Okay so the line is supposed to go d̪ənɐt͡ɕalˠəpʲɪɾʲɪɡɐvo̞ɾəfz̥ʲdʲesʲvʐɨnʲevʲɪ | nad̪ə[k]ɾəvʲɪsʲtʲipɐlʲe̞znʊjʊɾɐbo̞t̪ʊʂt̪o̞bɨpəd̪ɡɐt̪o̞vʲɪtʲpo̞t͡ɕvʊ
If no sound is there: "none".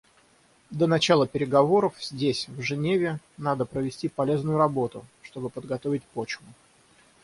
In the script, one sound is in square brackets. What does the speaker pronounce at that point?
p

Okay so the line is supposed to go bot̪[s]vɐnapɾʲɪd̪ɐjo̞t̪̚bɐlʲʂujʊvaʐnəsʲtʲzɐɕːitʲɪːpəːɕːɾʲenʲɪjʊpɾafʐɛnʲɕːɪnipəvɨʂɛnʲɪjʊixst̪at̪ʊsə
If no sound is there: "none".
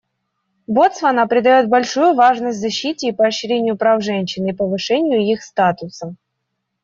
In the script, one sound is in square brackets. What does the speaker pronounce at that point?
s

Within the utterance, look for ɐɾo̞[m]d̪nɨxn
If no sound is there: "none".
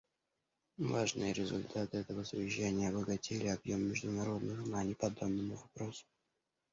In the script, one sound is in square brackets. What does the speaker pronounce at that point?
none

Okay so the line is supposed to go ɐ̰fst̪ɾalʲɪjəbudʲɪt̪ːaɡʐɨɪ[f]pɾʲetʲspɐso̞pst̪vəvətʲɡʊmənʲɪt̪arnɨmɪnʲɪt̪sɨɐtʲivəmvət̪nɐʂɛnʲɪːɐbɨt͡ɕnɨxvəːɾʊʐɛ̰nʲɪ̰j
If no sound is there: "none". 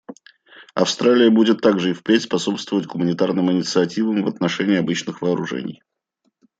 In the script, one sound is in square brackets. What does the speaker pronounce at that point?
f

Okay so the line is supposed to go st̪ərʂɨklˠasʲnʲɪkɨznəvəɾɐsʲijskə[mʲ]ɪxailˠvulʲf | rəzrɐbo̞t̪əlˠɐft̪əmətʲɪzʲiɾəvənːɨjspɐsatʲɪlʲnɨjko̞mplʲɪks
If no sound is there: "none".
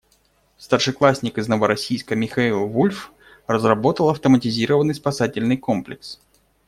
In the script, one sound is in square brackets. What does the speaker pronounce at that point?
mʲ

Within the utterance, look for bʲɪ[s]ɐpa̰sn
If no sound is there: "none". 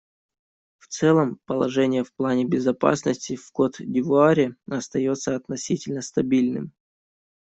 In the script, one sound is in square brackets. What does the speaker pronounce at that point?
z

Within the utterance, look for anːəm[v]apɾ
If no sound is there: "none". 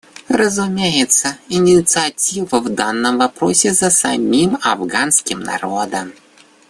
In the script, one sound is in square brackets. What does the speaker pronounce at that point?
v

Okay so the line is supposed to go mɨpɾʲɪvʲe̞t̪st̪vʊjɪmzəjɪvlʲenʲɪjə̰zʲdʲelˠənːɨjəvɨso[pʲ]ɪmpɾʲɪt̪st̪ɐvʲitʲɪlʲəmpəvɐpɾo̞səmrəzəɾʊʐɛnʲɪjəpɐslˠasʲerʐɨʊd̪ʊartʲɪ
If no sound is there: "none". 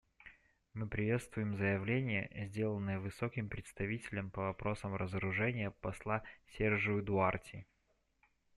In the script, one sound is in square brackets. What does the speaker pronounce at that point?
kʲ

